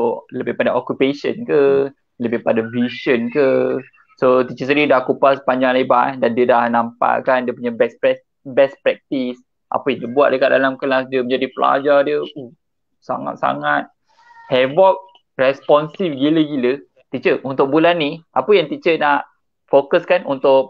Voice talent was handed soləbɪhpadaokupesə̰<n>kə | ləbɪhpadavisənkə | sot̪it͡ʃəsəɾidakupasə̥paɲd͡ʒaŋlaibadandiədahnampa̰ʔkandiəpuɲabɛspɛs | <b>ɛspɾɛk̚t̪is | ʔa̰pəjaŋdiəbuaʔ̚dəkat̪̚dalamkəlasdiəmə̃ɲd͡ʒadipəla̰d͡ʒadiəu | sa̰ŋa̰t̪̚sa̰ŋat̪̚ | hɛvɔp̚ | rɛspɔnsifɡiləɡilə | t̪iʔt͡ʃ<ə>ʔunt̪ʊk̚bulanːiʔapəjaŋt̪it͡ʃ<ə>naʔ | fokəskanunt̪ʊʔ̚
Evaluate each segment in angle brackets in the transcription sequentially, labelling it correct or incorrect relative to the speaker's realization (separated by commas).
correct, correct, correct, correct